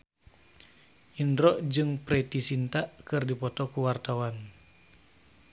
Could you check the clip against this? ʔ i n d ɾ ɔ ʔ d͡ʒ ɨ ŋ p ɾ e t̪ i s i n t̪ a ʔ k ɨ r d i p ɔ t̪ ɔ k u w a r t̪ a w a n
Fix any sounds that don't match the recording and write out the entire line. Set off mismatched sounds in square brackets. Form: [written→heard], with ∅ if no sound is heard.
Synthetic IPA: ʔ i n d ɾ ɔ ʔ d͡ʒ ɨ ŋ p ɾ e t̪ i s i n t̪ a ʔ k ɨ r d i p ɔ t̪ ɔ k u w a r t̪ a w a n

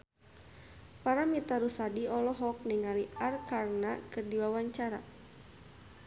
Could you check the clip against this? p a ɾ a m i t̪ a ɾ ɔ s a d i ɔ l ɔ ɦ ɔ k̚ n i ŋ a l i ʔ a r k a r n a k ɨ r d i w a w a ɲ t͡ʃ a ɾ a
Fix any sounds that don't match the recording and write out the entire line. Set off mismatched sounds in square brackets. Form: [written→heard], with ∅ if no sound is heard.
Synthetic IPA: p a ɾ a m i t̪ a ɾ [ɔ→u] s a d i ɔ l ɔ ɦ ɔ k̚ n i ŋ a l i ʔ a r k a r n a k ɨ r d i w a w a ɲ t͡ʃ a ɾ a

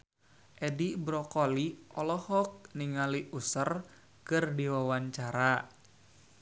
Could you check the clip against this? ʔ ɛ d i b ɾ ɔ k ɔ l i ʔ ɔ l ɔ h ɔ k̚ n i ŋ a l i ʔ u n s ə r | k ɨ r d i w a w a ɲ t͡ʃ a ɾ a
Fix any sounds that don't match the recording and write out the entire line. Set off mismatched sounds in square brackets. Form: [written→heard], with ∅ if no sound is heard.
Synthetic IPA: ʔ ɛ d i b ɾ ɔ k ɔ l i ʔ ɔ l ɔ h ɔ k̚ n i ŋ a l i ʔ u [n→∅] s ə r | k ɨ r d i w a w a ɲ t͡ʃ a ɾ a

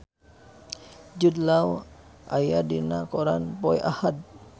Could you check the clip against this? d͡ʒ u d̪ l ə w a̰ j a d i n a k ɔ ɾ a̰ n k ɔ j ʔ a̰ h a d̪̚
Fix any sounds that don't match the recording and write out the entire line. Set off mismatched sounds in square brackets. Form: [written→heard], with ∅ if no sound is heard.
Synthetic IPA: d͡ʒ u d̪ l [ə→a] w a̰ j a d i n a k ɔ ɾ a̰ n [k→p] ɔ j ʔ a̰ h a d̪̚

